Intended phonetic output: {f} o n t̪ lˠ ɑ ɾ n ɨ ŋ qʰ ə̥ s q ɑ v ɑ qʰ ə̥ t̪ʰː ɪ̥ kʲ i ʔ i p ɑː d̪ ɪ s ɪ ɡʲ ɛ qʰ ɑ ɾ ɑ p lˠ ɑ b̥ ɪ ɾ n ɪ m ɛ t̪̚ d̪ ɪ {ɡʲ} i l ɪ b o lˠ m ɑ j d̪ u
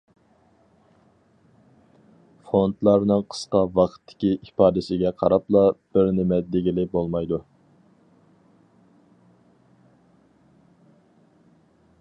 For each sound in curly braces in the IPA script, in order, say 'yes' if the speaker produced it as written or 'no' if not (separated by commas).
yes, yes